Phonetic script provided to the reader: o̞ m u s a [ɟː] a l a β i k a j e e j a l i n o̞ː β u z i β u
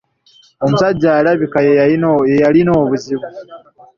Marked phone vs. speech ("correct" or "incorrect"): correct